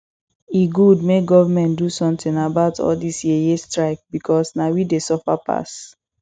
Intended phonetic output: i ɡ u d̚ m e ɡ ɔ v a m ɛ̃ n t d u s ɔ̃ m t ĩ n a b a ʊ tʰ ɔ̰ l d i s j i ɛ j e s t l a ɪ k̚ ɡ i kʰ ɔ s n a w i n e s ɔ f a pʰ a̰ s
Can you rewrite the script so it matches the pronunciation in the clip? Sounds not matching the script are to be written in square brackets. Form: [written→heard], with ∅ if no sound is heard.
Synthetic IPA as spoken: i ɡ u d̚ m e ɡ ɔ v a m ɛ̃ n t d u s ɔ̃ m t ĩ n a b a ʊ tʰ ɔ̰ l d i s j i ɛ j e s t [l→ɹ] a ɪ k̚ [ɡ→b] i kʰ ɔ s n a w i [n→d] e s ɔ f a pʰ a̰ s

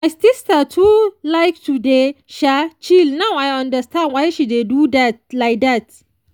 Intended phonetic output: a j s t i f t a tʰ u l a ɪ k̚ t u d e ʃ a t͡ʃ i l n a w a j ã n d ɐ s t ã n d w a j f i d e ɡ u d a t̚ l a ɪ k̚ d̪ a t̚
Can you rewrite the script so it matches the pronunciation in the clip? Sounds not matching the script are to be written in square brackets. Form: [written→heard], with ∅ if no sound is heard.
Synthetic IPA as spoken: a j s t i [f→s] t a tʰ u l a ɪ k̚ t u d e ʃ a t͡ʃ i l n a w a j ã n d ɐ s t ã n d w a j [f→ʃ] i d e [ɡ→d] u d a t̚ l a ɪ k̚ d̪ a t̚

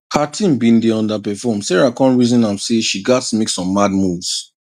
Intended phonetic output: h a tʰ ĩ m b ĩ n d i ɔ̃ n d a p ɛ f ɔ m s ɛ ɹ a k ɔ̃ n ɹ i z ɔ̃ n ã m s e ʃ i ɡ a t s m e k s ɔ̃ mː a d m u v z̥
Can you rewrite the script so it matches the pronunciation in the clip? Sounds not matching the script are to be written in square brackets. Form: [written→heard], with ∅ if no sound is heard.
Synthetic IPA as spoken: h a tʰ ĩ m b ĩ n d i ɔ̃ n d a p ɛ f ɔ m s ɛ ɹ a k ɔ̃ n ɹ i z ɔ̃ n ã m s e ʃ i ɡ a t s m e k s ɔ̃ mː a d m u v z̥

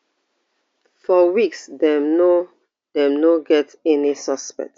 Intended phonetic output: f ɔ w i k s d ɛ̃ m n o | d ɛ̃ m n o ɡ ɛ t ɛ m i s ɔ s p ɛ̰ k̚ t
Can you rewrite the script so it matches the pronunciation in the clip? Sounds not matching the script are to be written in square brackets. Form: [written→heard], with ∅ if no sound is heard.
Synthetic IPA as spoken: f ɔ w i k s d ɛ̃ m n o | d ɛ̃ m n o ɡ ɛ t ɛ [m→n] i s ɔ s p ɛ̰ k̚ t

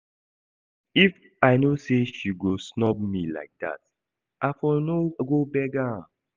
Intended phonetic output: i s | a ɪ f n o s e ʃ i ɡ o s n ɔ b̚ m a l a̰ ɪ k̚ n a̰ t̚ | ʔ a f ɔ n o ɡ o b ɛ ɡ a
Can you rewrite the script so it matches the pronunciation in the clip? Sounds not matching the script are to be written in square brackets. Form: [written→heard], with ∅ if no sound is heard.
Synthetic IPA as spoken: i [s→f] | a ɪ [f→∅] n o s e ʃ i ɡ o s n ɔ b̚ m [a→i] l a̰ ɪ k̚ [n→d] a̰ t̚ | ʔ a f ɔ n o ɡ o b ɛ ɡ a

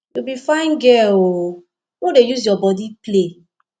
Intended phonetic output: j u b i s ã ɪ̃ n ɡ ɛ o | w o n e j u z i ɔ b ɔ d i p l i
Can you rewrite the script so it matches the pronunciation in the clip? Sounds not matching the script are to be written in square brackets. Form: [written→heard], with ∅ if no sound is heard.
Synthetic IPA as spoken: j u b i [s→f] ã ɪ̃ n ɡ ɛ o | w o [n→d] e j u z [i→j] ɔ b ɔ d i p l [i→e]

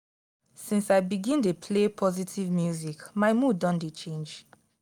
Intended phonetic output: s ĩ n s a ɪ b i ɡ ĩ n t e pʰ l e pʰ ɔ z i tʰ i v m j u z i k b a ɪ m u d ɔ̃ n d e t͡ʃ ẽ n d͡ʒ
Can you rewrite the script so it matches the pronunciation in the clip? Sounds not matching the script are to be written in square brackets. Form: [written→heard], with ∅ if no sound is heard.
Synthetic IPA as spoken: s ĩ n s a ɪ b i ɡ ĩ n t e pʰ l e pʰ ɔ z i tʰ i v m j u z i k [b→m] a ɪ m u d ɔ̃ n d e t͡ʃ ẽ n d͡ʒ

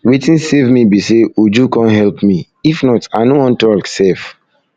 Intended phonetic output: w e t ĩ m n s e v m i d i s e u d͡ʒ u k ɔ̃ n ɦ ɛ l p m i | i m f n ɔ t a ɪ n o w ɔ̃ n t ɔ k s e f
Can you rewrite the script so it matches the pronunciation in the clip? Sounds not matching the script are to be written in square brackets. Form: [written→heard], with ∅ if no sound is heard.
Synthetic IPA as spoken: w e t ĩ [m→∅] n s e v m i [d→b] i s e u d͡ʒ u k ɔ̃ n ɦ ɛ l p m i | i [m→∅] f n ɔ t a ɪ n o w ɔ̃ n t ɔ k s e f

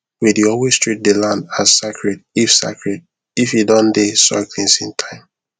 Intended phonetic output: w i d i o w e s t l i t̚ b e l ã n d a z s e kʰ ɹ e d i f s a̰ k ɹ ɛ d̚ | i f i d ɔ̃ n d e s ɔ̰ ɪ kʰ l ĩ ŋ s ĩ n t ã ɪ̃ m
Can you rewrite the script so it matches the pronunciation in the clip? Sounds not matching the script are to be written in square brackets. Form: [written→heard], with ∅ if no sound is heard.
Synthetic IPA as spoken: w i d i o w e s t [l→ɹ] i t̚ [b→d] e l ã n d a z s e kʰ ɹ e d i f s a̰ k ɹ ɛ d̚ | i f i d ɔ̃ n d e s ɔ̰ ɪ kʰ l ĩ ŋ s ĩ n [t→tʰ] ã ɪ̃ m

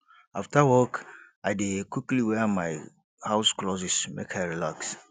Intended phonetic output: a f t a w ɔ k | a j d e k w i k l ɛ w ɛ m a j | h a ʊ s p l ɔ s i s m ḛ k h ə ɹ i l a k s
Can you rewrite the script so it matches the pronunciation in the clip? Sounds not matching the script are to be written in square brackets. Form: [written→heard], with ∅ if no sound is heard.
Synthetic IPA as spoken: a f t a w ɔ k | a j d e k w i k l [ɛ→i] w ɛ m a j | h a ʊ s [p→k] l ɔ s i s m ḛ k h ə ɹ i l a k s

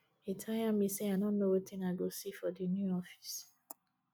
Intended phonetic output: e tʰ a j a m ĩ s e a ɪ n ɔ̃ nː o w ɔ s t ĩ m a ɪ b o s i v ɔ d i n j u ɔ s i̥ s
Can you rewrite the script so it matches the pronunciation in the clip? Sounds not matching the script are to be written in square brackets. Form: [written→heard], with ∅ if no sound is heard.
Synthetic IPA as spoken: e tʰ a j a m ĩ s e a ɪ n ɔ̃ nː o w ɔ [s→∅] t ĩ [m→n] a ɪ [b→ɡ] o s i [v→f] ɔ d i n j u ɔ [s→f] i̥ s

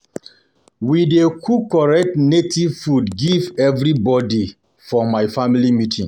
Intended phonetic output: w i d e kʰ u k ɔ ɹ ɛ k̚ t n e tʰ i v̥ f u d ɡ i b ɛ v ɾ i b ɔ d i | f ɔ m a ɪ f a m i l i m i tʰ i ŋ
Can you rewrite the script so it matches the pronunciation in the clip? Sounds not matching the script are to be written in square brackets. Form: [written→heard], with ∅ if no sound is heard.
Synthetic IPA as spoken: w i d e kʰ u k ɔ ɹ ɛ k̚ t n e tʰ i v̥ f u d ɡ i [b→v] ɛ v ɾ i b ɔ d i | f ɔ m a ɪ f a m i l i m i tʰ [i→ĩ] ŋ

